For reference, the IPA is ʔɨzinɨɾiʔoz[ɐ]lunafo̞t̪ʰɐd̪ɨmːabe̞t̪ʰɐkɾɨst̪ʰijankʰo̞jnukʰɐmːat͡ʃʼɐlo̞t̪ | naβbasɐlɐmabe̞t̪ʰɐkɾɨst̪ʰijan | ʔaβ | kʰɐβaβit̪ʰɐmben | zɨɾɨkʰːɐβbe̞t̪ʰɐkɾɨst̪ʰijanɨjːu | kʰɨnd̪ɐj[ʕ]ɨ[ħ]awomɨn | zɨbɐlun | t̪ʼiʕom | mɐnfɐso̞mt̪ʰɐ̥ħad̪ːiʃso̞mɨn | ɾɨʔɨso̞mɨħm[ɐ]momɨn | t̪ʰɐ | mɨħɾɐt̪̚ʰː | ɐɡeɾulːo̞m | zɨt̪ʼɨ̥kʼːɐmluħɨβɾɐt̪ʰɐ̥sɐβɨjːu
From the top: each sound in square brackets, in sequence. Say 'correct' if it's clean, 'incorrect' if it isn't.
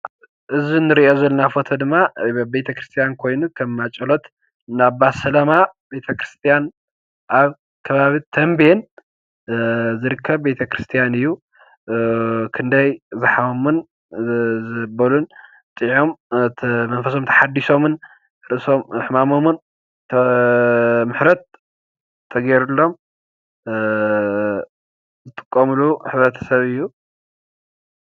correct, incorrect, correct, incorrect

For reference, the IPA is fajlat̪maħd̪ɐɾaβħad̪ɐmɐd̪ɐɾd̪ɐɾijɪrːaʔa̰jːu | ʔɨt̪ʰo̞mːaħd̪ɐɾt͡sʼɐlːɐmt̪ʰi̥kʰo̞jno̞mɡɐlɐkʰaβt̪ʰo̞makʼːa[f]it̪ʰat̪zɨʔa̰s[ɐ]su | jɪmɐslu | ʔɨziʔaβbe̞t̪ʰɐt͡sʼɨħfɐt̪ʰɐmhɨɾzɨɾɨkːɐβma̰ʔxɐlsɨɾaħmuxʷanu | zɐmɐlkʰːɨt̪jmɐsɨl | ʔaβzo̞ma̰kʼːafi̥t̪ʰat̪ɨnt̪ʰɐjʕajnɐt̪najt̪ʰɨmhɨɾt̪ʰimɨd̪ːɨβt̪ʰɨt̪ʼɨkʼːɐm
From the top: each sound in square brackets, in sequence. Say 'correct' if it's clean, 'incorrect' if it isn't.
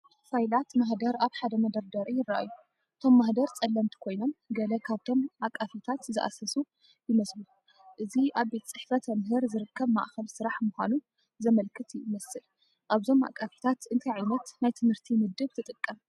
correct, correct

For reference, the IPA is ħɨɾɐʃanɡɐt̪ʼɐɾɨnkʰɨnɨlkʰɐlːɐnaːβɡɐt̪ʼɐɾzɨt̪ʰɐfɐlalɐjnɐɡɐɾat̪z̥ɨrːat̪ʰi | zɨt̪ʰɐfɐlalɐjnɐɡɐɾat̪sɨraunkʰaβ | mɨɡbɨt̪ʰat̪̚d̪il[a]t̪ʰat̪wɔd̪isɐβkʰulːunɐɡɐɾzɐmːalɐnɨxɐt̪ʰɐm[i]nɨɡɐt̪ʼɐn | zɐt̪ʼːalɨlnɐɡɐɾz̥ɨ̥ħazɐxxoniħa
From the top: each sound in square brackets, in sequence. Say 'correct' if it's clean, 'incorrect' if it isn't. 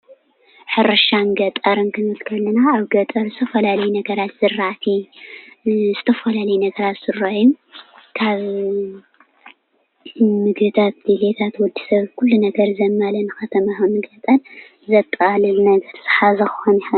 incorrect, incorrect

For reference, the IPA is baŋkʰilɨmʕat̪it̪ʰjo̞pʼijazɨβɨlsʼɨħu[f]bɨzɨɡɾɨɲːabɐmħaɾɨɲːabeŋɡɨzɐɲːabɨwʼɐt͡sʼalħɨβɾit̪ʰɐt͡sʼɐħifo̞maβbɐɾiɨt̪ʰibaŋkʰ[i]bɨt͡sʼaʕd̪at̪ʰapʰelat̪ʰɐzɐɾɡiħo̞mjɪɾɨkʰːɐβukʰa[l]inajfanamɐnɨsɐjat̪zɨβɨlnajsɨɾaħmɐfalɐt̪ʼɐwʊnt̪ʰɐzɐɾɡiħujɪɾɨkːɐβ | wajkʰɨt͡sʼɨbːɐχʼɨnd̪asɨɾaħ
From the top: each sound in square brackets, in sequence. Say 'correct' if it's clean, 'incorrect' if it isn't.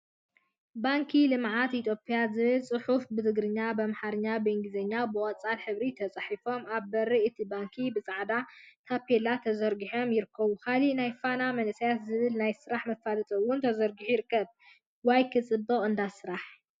correct, correct, correct

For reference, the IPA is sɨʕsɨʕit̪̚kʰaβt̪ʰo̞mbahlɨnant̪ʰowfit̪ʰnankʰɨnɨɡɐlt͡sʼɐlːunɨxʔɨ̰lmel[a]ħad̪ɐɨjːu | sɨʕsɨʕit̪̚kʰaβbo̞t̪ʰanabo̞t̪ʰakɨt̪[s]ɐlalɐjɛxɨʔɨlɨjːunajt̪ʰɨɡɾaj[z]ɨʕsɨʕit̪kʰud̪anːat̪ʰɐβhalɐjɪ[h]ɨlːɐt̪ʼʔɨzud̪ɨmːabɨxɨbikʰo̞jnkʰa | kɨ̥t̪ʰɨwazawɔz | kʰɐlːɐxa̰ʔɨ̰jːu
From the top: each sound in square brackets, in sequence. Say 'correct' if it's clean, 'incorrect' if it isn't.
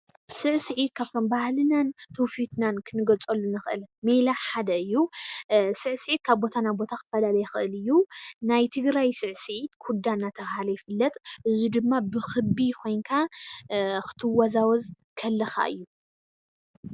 correct, incorrect, incorrect, incorrect

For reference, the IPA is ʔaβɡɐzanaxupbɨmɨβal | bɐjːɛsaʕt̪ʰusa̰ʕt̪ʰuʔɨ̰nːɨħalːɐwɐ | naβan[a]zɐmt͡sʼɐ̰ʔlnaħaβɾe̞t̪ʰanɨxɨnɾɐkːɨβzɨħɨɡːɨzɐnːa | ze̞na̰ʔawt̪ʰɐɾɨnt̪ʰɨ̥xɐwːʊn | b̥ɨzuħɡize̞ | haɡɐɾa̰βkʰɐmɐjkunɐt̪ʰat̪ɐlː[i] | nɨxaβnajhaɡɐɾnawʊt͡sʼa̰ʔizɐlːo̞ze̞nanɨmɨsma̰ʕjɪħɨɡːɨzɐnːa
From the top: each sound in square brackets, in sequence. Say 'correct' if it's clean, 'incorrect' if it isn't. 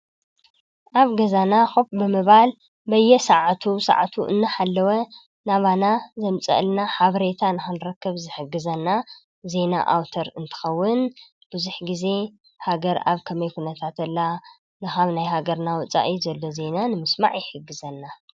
correct, incorrect

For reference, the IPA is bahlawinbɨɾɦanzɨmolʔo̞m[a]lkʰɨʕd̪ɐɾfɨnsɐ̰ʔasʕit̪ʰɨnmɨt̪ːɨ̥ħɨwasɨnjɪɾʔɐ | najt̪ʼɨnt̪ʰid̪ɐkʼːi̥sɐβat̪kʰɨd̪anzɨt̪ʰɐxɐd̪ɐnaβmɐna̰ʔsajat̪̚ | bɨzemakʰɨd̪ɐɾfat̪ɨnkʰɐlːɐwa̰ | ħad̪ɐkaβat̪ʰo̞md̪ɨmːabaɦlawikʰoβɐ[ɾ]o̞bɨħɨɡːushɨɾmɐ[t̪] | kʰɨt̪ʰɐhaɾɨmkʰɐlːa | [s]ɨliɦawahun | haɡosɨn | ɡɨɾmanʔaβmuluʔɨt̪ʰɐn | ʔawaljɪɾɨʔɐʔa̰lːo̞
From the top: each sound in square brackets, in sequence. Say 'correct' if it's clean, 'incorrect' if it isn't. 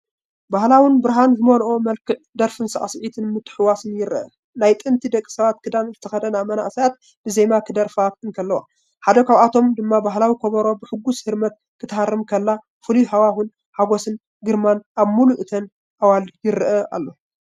incorrect, correct, correct, incorrect

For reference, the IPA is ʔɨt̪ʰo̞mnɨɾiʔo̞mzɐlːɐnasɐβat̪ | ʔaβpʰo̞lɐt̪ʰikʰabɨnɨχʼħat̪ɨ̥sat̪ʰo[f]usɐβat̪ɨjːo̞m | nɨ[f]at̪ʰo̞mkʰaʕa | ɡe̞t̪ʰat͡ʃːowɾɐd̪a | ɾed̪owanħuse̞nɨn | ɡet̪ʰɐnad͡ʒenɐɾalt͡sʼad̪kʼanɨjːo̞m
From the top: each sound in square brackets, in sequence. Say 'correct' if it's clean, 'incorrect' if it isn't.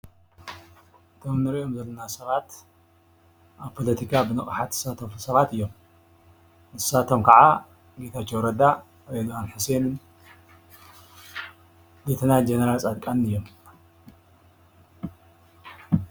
correct, incorrect

